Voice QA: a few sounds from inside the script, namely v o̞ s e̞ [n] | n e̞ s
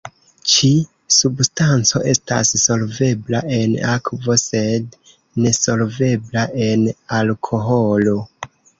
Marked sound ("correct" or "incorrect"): incorrect